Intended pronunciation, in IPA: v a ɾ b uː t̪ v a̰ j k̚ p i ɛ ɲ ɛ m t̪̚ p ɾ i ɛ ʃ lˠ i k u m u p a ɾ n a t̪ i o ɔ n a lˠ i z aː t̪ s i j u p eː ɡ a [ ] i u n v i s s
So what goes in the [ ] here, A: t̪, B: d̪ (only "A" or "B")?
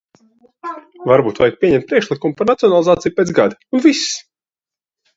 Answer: B